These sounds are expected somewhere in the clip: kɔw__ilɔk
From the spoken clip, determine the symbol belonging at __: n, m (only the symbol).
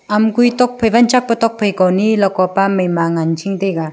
n